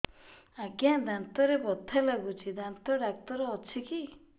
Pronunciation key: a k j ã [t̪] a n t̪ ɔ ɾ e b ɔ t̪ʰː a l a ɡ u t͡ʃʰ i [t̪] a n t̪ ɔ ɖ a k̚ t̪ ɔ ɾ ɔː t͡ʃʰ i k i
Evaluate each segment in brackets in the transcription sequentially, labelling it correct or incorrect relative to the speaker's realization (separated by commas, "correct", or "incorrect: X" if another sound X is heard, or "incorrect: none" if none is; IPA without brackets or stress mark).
incorrect: d̪, incorrect: d̪